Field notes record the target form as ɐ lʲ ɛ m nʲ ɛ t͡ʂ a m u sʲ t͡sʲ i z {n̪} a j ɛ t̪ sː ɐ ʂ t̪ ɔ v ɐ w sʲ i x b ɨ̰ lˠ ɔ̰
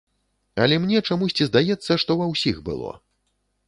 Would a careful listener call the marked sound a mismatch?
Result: yes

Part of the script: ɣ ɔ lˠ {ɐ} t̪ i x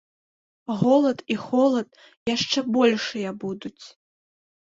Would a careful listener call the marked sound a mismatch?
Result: no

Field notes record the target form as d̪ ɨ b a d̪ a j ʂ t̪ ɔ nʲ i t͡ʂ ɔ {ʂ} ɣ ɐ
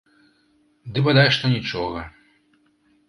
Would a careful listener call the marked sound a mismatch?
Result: yes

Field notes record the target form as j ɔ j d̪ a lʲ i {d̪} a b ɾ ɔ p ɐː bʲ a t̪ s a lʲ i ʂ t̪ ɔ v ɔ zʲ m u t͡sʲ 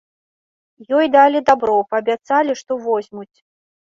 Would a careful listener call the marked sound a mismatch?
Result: no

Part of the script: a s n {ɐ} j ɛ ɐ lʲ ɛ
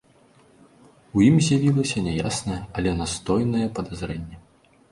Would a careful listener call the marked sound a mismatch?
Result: no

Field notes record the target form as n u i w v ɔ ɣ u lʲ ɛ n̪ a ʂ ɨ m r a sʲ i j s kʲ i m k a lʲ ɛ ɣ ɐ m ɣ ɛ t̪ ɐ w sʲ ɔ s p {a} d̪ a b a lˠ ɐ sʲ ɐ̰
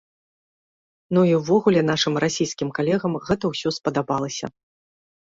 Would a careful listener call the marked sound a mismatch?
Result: yes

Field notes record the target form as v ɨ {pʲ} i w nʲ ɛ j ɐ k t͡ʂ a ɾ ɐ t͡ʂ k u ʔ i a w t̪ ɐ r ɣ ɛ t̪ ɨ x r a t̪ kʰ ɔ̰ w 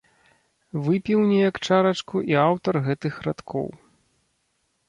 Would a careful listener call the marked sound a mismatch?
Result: no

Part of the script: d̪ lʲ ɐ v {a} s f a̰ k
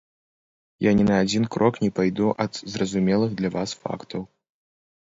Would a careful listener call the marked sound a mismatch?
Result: no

